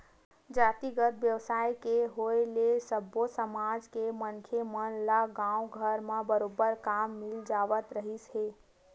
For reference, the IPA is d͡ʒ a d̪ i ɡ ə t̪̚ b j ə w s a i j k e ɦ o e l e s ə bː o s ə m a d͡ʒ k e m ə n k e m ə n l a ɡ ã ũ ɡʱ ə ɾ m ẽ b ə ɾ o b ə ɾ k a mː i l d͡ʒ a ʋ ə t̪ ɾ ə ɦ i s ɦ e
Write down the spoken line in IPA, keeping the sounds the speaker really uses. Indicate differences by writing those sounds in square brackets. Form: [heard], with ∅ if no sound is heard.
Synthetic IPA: d͡ʒ a [t̪] i ɡ ə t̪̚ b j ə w s a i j k e ɦ o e l e s ə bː o s ə m a d͡ʒ k e m ə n [kʰ] e m ə n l a ɡ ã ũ ɡʱ ə ɾ m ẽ b ə ɾ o b ə ɾ k a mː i l d͡ʒ a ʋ ə t̪ ɾ ə ɦ i s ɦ e

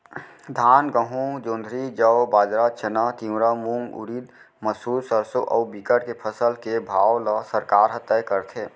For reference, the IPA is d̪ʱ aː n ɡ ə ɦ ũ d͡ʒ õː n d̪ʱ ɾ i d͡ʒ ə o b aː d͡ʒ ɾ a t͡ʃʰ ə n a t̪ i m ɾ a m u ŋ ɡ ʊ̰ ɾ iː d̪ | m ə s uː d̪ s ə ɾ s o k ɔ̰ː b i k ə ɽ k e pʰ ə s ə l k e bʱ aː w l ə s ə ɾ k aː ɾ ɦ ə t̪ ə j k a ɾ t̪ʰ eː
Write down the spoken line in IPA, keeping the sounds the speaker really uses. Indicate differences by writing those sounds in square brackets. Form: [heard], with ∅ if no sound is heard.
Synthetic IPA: d̪ʱ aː n ɡ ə ɦ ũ d͡ʒ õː n d̪ʱ ɾ i d͡ʒ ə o b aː d͡ʒ ɾ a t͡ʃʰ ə n a t̪ i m ɾ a m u ŋ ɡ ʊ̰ ɾ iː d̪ | m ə s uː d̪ s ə ɾ s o [ʔ] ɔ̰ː b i k ə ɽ k e pʰ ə s ə l k e bʱ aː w l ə s ə ɾ k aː ɾ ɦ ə t̪ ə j k [ə] ɾ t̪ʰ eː

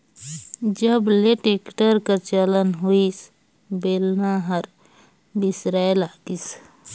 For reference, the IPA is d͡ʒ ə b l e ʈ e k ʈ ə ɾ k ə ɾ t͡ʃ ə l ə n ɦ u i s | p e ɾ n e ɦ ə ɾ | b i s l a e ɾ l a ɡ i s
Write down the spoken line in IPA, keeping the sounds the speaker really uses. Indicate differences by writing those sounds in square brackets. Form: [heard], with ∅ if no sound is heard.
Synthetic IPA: d͡ʒ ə b l e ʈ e k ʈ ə ɾ k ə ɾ t͡ʃ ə l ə n ɦ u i s | [b] e [l] n [a] ɦ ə ɾ | b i s [ɾ] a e [∅] l a ɡ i s

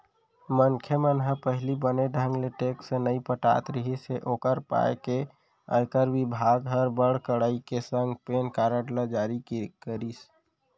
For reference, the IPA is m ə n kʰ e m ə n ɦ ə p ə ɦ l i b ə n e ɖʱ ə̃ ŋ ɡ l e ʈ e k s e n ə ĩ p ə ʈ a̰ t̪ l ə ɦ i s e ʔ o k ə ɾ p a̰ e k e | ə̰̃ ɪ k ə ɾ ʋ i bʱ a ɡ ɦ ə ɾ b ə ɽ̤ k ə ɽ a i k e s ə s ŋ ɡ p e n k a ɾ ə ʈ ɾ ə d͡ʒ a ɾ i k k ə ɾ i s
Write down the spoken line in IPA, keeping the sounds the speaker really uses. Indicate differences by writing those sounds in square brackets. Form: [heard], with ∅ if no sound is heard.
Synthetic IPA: m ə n kʰ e m ə n ɦ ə p ə ɦ l i b ə n e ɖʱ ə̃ ŋ ɡ l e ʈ e k s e n ə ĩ p ə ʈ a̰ t̪ [ɾ] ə ɦ i s e ʔ o k ə ɾ p a̰ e k e | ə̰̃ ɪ k ə ɾ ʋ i bʱ a ɡ ɦ ə ɾ b ə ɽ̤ k ə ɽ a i k e s ə [∅] ŋ ɡ p e n k a ɾ ə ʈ [l] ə d͡ʒ a ɾ i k k ə ɾ i s

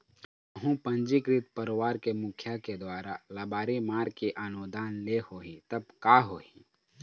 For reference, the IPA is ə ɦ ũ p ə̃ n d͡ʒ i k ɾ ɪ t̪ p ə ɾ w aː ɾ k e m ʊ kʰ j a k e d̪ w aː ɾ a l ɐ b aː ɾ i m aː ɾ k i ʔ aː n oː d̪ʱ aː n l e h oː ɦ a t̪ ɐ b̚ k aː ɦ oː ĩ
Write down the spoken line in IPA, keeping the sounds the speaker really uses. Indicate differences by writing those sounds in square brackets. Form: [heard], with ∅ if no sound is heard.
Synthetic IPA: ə ɦ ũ p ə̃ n d͡ʒ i k ɾ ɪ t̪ p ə ɾ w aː ɾ k e m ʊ kʰ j a k e d̪ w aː ɾ a l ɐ b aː ɾ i m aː ɾ k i ʔ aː n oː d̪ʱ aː n l e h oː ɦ [i] t̪ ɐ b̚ k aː ɦ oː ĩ

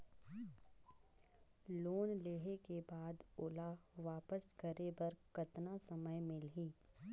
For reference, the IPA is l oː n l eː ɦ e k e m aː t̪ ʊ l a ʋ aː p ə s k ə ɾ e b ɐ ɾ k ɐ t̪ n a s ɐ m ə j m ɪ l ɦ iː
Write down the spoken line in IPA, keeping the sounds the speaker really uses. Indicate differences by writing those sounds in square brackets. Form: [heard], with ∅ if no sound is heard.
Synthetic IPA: l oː n l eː ɦ e k e [b] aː [d̪] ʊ l a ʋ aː p ə s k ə ɾ e b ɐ ɾ k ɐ t̪ n a s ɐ m ə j m ɪ l ɦ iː

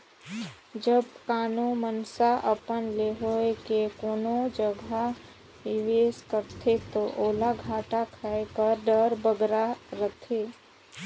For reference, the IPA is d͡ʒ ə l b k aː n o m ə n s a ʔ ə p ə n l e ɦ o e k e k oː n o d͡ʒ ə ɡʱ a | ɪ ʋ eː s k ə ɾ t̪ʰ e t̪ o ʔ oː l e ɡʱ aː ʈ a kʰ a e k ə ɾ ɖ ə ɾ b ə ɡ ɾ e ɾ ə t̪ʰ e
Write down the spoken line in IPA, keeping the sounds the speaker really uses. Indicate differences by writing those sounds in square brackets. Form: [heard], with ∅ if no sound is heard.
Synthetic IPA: d͡ʒ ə [∅] b k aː n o m ə n s a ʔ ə p ə n l e ɦ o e k e k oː n o d͡ʒ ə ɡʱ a | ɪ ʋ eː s k ə ɾ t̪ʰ e t̪ o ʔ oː l [a] ɡʱ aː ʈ a kʰ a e k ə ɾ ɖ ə ɾ b ə ɡ ɾ [a] ɾ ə t̪ʰ e

